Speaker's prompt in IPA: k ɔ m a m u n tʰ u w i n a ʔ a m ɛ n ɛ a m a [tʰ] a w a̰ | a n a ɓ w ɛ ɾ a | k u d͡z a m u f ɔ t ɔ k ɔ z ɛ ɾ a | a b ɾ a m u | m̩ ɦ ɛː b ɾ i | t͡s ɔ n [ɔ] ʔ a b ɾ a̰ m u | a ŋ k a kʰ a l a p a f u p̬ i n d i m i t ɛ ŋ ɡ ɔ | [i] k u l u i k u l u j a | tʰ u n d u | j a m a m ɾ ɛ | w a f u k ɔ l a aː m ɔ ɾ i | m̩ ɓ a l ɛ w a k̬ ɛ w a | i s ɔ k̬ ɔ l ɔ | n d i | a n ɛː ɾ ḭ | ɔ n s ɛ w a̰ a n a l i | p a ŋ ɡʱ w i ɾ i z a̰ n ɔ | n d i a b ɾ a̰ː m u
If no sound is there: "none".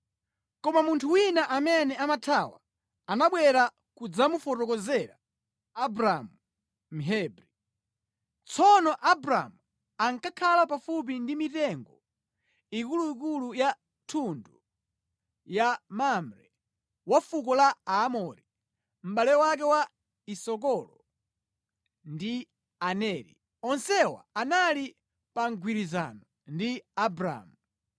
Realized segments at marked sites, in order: tʰ, ɔ, i

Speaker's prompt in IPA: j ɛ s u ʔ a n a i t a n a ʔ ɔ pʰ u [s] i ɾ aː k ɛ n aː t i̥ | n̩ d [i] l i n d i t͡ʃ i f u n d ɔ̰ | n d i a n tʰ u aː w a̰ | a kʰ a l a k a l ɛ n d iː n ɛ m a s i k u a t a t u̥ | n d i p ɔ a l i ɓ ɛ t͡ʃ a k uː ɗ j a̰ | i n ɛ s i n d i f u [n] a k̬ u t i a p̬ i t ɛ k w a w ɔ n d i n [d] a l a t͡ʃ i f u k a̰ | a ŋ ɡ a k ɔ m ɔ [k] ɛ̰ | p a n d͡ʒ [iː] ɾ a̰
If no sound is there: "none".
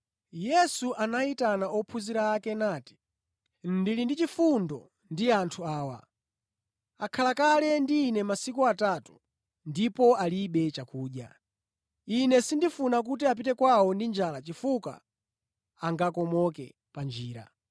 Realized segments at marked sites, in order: z, i, n, d͡ʒ, k, iː

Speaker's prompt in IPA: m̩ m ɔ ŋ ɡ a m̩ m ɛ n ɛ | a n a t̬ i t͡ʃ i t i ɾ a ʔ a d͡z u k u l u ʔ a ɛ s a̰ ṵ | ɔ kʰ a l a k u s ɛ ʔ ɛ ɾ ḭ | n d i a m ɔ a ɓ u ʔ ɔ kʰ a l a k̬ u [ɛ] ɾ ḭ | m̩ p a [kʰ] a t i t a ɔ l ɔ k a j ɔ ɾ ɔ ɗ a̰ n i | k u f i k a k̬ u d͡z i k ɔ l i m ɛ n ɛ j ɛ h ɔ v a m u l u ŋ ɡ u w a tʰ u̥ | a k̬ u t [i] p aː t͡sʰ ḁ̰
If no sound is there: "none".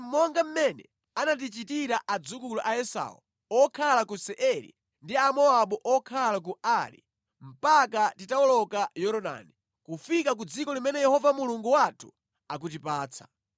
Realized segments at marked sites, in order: a, k, i

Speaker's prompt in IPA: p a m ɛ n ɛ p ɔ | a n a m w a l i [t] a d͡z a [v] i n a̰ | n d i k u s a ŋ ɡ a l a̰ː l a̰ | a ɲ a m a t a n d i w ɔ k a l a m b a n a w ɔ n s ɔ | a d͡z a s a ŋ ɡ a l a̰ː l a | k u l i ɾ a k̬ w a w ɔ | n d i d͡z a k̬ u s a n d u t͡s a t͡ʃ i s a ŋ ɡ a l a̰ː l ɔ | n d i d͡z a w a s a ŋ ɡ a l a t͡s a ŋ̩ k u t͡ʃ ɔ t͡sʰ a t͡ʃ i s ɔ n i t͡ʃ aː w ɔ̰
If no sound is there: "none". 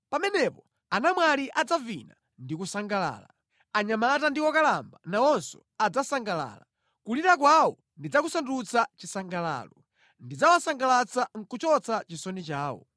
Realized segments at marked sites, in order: ʔ, v

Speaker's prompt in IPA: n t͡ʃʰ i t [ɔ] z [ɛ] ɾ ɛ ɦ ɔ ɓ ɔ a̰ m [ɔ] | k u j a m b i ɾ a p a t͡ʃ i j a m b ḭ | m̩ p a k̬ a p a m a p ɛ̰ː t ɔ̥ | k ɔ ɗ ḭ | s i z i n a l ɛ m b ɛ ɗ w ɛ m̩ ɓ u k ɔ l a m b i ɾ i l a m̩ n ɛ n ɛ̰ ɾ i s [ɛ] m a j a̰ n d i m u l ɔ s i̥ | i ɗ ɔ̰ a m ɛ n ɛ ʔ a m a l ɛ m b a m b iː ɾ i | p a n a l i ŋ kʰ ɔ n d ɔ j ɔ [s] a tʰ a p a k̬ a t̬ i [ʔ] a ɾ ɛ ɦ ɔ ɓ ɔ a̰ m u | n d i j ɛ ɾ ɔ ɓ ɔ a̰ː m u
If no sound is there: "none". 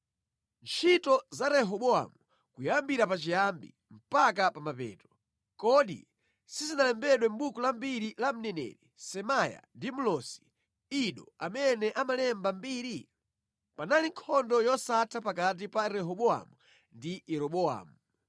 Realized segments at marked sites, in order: ɔ, a, u, ɛ, s, p

